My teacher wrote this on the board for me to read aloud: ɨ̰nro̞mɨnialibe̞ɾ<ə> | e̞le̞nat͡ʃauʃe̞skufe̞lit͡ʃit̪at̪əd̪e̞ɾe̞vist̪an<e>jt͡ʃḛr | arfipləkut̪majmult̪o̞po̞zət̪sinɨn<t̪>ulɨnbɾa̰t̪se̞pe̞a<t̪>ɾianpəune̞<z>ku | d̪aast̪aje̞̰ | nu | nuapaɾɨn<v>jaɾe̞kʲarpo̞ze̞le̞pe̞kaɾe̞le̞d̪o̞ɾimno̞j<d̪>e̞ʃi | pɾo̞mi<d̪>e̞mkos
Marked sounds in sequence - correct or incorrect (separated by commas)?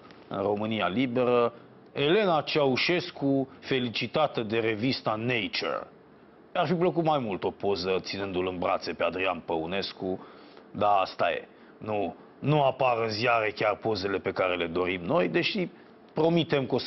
correct, correct, incorrect, incorrect, incorrect, incorrect, correct, incorrect